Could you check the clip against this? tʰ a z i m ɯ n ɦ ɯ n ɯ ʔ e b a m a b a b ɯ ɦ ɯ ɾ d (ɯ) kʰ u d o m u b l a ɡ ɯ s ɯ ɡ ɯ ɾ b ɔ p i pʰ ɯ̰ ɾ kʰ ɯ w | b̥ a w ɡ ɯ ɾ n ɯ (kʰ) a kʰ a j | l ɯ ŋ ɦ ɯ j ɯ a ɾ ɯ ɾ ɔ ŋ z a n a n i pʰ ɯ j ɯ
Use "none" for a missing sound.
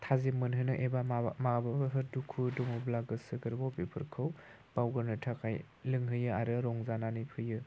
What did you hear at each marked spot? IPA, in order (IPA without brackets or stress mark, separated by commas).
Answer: u, tʰ